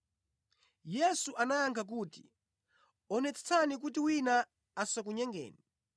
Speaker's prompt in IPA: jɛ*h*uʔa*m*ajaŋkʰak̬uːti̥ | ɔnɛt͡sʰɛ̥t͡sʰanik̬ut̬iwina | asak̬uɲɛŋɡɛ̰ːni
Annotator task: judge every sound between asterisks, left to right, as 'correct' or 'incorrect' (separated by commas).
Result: incorrect, incorrect